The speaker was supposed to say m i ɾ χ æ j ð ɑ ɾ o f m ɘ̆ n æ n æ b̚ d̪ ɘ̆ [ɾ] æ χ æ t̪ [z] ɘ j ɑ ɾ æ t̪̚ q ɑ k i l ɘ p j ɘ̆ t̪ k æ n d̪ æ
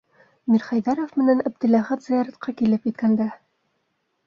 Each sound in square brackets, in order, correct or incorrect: incorrect: l, correct

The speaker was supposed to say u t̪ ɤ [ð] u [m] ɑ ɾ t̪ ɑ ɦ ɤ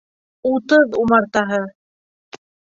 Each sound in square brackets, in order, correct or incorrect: correct, correct

